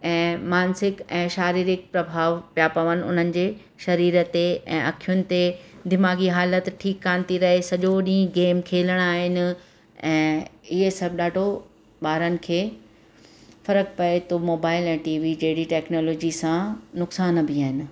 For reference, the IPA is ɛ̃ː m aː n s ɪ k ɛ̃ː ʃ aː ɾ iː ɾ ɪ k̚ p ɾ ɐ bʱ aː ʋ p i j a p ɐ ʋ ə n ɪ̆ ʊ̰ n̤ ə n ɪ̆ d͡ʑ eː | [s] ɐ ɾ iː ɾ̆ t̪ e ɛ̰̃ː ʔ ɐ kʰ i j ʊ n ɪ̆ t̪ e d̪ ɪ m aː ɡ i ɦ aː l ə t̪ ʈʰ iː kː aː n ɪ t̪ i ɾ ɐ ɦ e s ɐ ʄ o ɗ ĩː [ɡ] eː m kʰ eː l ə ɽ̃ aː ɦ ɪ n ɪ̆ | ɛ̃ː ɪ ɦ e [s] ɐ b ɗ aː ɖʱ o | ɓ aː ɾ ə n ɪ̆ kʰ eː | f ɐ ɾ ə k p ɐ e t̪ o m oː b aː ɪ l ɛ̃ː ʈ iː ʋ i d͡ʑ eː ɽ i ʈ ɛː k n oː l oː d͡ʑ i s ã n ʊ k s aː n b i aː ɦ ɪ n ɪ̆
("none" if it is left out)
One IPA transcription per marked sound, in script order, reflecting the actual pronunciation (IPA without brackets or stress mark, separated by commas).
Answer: ʃ, ɡ, s